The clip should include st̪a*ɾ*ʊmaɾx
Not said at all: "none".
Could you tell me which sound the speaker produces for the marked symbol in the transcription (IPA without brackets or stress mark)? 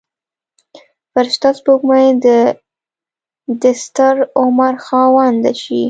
ɾ